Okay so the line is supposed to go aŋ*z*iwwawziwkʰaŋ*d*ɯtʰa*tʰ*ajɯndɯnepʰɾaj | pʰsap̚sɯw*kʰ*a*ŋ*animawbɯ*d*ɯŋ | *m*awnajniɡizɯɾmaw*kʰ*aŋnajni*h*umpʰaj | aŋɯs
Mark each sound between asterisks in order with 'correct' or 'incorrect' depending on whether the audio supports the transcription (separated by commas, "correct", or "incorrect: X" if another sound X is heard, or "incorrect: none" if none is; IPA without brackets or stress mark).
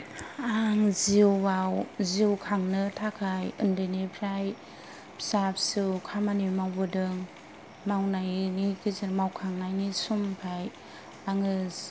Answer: correct, incorrect: n, incorrect: kʰ, correct, incorrect: m, correct, correct, correct, incorrect: s